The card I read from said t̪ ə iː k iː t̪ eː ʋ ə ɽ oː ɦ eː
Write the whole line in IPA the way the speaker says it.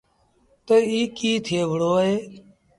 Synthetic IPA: t̪ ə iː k iː t̪ʰ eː ʋ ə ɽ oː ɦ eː